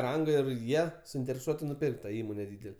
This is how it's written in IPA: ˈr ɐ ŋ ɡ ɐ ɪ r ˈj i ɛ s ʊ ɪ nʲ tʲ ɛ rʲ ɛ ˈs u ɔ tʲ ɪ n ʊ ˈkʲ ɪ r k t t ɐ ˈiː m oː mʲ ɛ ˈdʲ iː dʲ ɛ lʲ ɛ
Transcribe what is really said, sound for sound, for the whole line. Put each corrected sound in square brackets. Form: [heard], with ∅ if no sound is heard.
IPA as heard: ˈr ɐ ŋ ɡ ɐ ɪ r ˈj i ɛ s ʊ ɪ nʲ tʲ ɛ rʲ ɛ ˈs u ɔ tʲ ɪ n ʊ [ˈpʲ] ɪ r k t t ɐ ˈiː m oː [nʲ] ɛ ˈdʲ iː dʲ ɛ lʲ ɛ